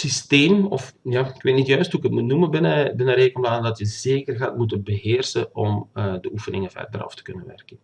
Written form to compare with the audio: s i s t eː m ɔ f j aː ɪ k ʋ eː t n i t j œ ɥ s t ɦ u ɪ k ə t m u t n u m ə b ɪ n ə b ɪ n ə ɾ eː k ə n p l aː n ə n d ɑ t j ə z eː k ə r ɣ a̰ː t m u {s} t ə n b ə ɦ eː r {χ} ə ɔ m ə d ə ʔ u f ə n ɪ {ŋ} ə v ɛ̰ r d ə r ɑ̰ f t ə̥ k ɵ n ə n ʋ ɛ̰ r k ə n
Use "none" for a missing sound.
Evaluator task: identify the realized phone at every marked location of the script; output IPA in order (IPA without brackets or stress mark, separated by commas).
none, s, ŋ